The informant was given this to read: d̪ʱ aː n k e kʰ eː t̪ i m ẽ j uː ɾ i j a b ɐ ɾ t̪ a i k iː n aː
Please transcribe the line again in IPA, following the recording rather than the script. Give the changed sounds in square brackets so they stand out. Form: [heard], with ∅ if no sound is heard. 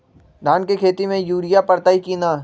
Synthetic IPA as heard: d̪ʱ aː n k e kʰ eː t̪ i m ẽ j uː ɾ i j a [p] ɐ ɾ t̪ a i k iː n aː